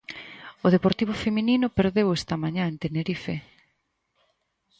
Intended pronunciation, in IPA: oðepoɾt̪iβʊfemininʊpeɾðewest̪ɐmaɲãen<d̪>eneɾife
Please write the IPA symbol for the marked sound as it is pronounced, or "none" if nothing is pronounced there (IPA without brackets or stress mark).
t̪